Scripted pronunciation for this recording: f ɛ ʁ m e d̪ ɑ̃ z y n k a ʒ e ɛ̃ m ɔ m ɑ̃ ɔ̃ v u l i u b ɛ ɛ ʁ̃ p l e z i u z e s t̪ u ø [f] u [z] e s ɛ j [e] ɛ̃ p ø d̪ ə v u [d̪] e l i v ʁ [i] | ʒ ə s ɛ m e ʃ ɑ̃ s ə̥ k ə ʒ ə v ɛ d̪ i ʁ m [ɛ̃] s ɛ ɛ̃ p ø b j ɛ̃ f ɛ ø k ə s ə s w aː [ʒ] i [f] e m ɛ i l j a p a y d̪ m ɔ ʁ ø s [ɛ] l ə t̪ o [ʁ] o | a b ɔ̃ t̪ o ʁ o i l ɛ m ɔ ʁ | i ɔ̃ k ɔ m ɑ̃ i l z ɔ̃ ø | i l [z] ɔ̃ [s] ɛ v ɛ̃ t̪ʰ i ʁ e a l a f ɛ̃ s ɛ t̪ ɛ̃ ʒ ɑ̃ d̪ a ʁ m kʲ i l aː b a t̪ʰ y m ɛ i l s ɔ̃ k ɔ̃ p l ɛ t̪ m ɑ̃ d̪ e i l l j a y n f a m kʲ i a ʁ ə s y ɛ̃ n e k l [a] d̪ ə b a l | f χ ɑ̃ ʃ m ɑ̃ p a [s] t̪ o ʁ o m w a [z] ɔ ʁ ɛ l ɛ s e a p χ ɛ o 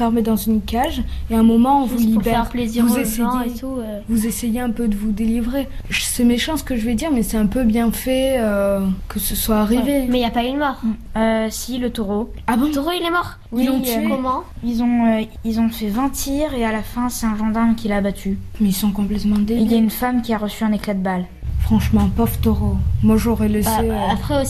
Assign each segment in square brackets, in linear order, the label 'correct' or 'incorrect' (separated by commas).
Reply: incorrect, correct, correct, correct, incorrect, incorrect, incorrect, incorrect, incorrect, correct, correct, incorrect, correct, incorrect, incorrect